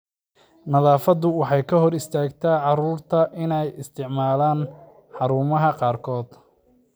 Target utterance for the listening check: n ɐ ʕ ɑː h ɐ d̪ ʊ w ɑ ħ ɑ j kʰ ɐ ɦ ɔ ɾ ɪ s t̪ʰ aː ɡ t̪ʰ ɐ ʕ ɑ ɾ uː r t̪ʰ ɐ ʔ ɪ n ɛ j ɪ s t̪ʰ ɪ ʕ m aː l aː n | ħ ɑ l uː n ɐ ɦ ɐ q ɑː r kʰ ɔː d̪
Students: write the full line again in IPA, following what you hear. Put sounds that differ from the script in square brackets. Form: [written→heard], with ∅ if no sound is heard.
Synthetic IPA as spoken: n ɐ [ʕ→ð] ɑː [h→f] ɐ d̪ ʊ w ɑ ħ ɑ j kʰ ɐ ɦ ɔ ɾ ɪ s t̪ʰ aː ɡ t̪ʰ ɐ ʕ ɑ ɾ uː r t̪ʰ ɐ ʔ ɪ n ɛ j ɪ s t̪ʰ ɪ ʕ m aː l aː n | ħ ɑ [l→ɾ] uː [n→m] ɐ ɦ ɐ q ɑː r kʰ ɔː d̪

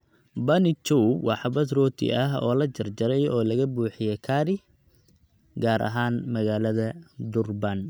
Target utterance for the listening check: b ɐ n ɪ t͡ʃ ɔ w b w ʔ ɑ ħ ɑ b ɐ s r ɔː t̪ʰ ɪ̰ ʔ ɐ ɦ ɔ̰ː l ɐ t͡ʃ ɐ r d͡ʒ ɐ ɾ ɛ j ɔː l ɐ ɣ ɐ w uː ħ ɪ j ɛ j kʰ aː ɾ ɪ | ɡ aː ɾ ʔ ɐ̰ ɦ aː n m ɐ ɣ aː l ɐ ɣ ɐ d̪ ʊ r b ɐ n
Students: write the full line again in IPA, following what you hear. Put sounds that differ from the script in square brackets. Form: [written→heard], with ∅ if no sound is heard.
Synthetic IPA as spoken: b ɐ n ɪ t͡ʃ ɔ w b w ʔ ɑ ħ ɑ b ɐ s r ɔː t̪ʰ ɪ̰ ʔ ɐ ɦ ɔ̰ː l ɐ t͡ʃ ɐ r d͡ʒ ɐ ɾ ɛ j ɔː l ɐ ɣ ɐ [w→b] uː ħ ɪ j ɛ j kʰ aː ɾ ɪ | ɡ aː ɾ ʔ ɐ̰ ɦ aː n m ɐ ɣ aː l ɐ [ɣ→ð] ɐ d̪ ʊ r b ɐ n

